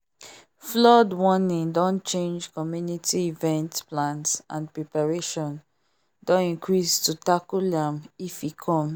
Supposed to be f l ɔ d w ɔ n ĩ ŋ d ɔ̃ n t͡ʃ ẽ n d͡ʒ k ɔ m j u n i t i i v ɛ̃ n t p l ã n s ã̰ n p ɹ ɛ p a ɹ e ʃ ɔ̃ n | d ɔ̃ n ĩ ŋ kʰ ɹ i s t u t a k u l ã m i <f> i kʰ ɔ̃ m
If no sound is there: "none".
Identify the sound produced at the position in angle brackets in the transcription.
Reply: f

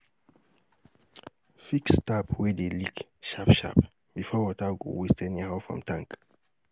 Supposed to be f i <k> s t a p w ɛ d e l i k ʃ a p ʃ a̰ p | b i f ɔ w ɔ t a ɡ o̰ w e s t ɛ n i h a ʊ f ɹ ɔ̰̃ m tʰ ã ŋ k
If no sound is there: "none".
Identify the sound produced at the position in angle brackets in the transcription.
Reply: k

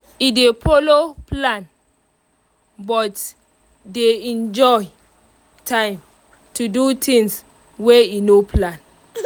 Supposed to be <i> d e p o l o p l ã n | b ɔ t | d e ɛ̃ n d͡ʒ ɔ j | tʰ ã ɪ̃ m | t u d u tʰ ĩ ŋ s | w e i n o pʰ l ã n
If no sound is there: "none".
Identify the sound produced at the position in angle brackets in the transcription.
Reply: i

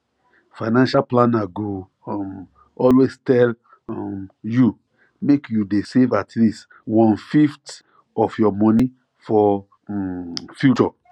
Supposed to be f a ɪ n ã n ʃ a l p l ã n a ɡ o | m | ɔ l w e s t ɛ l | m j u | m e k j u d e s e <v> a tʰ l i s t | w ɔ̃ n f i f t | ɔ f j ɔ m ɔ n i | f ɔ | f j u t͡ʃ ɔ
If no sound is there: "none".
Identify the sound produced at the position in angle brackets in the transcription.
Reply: v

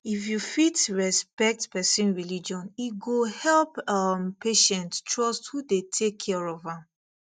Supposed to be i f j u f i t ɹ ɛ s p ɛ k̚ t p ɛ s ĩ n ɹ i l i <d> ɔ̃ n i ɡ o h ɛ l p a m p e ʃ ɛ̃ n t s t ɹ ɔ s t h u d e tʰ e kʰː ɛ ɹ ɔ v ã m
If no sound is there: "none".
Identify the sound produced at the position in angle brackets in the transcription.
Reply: d͡ʒ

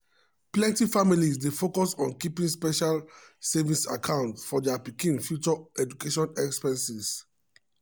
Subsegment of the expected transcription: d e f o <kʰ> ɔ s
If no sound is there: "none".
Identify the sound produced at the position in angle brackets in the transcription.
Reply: k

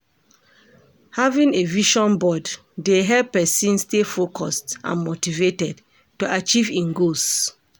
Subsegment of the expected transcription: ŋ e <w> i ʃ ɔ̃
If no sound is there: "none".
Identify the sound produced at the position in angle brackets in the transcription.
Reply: v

